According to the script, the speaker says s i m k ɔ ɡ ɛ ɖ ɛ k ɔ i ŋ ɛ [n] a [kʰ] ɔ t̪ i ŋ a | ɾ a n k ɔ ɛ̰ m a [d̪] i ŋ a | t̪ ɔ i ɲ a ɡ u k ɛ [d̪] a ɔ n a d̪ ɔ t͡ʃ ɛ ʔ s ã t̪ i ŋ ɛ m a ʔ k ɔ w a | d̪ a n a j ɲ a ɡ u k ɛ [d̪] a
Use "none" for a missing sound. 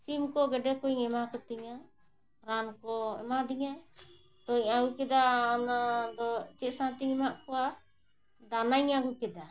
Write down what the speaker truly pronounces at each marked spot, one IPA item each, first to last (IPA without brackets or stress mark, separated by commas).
m, k, d̪, d̪, d̪